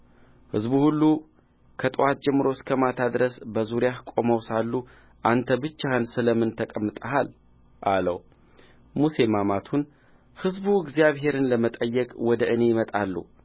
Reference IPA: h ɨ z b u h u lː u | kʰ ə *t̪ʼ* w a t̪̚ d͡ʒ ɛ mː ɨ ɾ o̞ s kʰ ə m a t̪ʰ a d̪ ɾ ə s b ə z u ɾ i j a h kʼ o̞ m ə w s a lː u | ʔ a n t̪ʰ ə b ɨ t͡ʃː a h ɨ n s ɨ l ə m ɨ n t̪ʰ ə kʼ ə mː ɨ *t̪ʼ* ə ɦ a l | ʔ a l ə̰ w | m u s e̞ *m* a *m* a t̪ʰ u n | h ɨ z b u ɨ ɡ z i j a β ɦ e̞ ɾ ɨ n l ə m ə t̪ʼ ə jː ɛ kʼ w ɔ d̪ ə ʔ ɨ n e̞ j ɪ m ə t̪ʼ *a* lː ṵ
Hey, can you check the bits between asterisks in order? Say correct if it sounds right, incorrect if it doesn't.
correct, correct, correct, correct, correct

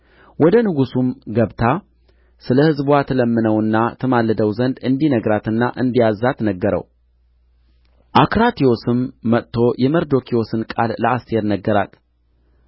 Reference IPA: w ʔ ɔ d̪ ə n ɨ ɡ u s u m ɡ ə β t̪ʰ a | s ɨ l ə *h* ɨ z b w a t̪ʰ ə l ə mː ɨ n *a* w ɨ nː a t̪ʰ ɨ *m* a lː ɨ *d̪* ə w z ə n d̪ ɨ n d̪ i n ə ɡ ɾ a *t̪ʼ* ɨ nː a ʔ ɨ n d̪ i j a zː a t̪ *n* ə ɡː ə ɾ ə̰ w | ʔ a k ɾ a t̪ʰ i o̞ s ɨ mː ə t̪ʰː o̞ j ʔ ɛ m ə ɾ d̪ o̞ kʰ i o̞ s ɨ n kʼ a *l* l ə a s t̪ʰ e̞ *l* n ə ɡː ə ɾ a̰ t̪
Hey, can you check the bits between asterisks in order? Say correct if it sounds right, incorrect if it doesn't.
correct, incorrect, correct, correct, incorrect, correct, correct, incorrect

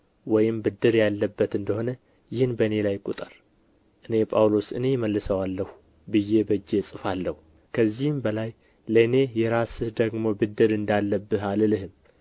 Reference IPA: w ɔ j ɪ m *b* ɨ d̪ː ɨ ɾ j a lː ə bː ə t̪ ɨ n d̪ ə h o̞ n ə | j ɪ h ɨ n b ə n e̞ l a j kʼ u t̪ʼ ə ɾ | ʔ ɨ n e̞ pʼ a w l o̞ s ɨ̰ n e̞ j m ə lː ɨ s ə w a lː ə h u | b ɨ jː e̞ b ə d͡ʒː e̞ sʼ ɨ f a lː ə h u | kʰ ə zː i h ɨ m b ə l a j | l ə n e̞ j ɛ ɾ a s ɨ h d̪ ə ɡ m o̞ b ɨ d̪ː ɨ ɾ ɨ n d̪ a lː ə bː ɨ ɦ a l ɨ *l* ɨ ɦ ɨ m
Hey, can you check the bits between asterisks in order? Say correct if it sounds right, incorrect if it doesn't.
correct, correct

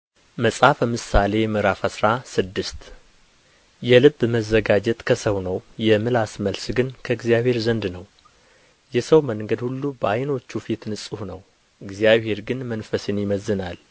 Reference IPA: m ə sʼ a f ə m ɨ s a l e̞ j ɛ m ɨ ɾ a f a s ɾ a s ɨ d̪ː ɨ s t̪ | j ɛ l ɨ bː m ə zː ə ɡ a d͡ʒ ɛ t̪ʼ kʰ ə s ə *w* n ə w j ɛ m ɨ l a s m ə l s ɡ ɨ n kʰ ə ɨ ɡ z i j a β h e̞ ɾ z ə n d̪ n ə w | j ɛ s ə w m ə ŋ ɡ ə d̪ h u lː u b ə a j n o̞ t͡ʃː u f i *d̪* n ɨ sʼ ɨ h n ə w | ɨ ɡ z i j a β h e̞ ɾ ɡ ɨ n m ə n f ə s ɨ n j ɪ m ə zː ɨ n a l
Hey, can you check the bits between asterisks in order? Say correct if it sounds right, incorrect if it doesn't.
correct, incorrect

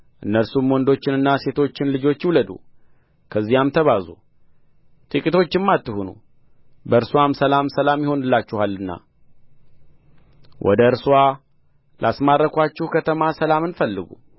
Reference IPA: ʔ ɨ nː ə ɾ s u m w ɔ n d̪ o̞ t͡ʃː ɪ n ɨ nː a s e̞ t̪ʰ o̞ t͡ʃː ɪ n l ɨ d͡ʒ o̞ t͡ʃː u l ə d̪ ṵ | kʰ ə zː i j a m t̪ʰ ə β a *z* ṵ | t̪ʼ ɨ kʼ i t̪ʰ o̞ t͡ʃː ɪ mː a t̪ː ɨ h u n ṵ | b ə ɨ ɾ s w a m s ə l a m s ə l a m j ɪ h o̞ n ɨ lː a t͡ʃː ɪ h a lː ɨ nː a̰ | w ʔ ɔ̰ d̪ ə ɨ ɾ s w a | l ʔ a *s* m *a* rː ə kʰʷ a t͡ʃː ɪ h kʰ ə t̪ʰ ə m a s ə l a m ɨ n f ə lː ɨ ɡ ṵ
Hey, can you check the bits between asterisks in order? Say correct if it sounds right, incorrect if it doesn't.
correct, correct, correct

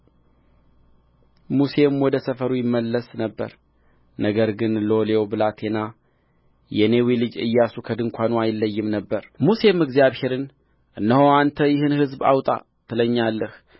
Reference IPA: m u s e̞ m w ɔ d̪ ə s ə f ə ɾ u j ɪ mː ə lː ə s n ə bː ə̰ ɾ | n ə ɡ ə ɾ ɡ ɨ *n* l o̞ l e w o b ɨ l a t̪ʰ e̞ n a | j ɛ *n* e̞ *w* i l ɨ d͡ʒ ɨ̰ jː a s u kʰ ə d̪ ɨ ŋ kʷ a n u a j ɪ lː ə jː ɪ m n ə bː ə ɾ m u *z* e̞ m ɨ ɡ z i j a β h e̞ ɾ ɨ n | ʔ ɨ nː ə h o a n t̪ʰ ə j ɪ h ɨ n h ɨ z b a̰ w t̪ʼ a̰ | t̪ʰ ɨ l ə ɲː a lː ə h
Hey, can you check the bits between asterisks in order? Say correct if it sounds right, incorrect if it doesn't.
correct, correct, correct, incorrect

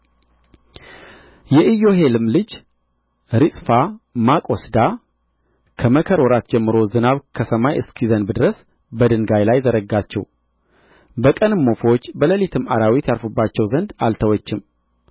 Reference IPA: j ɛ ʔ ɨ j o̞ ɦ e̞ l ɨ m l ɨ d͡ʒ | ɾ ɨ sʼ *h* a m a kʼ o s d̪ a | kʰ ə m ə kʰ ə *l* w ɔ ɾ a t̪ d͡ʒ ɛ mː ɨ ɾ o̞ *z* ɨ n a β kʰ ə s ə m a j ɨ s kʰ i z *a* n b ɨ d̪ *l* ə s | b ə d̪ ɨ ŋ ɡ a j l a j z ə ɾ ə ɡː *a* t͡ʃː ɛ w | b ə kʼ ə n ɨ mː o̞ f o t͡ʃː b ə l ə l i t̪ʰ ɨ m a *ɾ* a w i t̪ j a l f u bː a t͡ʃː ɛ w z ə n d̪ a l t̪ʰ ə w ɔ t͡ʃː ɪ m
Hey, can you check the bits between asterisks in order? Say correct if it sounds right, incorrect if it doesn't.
incorrect, incorrect, correct, incorrect, incorrect, correct, correct

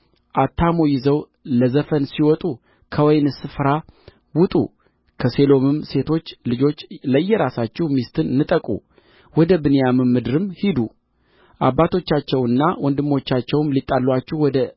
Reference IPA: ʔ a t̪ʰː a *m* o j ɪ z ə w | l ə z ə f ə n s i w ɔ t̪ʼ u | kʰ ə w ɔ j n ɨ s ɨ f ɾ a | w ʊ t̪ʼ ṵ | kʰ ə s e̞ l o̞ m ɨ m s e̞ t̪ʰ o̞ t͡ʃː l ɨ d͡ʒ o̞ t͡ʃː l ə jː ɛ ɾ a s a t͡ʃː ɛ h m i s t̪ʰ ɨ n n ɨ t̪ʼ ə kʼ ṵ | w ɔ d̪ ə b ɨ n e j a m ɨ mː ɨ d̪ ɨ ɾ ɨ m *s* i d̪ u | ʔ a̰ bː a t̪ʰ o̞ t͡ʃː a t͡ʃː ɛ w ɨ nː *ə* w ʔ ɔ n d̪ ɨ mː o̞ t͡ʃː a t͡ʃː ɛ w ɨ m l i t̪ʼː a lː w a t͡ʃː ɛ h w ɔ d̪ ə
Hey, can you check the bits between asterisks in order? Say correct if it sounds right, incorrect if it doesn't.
correct, incorrect, incorrect

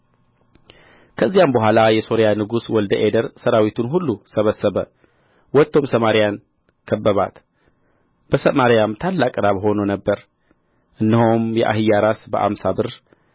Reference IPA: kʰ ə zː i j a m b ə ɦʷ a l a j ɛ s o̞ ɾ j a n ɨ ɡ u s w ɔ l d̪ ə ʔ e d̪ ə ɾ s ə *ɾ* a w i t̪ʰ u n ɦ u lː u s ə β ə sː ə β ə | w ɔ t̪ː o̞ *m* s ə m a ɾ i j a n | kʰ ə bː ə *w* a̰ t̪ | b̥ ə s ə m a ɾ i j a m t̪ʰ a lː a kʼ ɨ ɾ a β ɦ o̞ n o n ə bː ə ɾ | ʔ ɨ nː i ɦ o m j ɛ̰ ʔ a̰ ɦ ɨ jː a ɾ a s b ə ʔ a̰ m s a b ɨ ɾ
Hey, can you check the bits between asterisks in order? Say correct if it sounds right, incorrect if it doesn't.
correct, correct, incorrect

